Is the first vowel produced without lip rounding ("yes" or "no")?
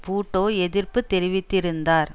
no